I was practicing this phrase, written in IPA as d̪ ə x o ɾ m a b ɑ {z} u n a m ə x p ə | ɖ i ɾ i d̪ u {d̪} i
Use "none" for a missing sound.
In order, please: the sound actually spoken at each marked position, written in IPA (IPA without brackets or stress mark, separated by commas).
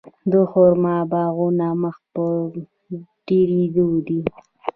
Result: ɣ, d̪